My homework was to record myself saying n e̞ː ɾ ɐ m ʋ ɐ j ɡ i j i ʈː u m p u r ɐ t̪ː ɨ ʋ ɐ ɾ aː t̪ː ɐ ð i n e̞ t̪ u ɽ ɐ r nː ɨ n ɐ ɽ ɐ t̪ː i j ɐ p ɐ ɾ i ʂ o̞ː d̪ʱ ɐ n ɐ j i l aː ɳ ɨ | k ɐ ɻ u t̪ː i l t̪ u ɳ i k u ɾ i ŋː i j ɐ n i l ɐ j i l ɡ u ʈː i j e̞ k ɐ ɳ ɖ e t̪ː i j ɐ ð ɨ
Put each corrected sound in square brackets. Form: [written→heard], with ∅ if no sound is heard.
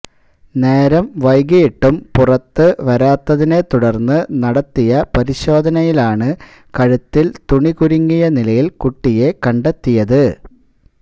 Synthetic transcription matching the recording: n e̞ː ɾ ɐ m ʋ ɐ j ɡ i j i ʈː u m p u r ɐ t̪ː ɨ ʋ ɐ ɾ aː t̪ː ɐ ð i n e̞ t̪ u ɽ ɐ r nː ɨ n ɐ ɽ ɐ t̪ː i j ɐ p ɐ ɾ i [ʂ→ɕ] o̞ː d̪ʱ ɐ n ɐ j i l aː ɳ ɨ | k ɐ ɻ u t̪ː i l t̪ u ɳ i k u ɾ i ŋː i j ɐ n i l ɐ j i l [ɡ→k] u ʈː i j e̞ k ɐ ɳ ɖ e t̪ː i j ɐ ð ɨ